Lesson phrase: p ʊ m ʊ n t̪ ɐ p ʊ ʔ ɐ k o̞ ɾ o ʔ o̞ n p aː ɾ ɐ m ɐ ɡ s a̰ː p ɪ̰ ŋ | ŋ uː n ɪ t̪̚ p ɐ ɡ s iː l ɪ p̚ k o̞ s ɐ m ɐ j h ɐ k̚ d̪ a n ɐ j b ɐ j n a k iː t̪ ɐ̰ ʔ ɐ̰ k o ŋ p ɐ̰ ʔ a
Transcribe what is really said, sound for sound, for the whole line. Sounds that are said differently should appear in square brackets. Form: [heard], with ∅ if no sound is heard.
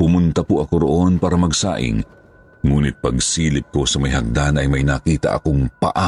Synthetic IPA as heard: p ʊ m ʊ n t̪ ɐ p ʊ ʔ ɐ k o̞ ɾ o ʔ o̞ n p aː ɾ ɐ m ɐ ɡ s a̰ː [ʔ] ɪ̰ ŋ | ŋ uː n ɪ t̪̚ p ɐ ɡ s iː l ɪ p̚ k o̞ s ɐ m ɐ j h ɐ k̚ d̪ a n ɐ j [m] ɐ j n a k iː t̪ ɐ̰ ʔ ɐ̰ k o ŋ p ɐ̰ ʔ a